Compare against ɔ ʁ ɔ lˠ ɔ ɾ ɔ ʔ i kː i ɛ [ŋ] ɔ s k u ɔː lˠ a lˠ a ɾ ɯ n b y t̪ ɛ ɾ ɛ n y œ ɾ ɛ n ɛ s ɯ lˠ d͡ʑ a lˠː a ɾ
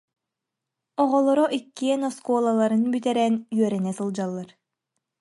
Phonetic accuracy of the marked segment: incorrect: n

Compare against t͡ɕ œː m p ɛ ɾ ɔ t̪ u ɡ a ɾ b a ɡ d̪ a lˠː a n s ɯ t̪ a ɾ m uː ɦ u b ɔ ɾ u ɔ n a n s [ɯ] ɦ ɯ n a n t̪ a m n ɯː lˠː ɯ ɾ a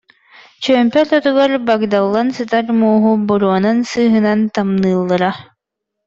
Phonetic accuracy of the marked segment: incorrect: ɯː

